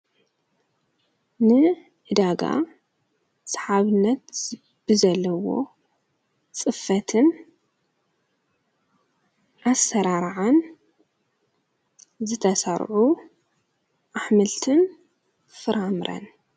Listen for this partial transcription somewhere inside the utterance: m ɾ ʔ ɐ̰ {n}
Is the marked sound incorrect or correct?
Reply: correct